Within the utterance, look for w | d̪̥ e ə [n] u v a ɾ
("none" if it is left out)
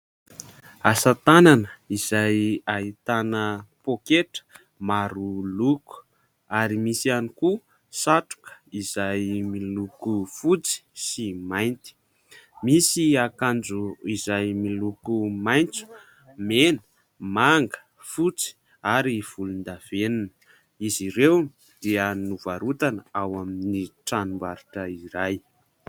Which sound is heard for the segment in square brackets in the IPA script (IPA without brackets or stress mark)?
n